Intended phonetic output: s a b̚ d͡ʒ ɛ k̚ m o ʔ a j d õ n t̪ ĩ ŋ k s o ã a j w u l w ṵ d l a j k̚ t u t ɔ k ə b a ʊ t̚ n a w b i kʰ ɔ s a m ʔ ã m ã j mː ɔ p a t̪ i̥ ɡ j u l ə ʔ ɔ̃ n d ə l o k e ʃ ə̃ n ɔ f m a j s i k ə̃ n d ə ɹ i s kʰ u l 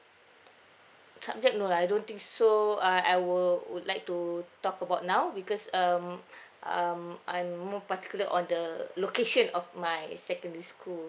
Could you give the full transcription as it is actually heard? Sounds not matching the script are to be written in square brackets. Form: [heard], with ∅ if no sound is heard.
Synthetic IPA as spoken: s a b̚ d͡ʒ ɛ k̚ [n] o [∅] a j d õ n t̪ ĩ ŋ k s o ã a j w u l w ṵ d l a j k̚ t u t ɔ k ə b a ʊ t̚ n a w b i [k] ɔ s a m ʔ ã m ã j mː ɔ p a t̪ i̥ [k] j u l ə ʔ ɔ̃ n d ə l o k e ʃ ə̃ n ɔ f m a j s [ɛ] k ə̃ n d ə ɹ i s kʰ u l